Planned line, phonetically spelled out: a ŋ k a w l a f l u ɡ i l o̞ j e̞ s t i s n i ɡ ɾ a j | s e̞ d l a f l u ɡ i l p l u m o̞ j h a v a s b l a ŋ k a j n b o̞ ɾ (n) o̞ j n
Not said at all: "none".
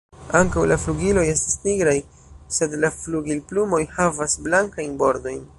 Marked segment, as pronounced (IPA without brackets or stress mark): d